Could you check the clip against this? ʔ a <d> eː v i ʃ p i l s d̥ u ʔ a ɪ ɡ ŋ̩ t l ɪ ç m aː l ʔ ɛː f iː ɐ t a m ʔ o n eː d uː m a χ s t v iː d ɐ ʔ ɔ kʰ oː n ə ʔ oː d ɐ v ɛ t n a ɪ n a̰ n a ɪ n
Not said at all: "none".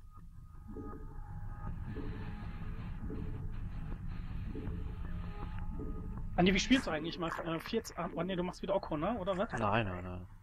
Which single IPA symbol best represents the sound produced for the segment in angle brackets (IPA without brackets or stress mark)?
n